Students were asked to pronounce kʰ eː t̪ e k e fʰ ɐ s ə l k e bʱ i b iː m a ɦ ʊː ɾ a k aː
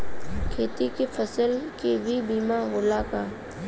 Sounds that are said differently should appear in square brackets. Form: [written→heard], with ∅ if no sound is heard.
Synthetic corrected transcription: kʰ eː t̪ [e→i] k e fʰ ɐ s ə l k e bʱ i b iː m a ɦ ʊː [ɾ→l] a k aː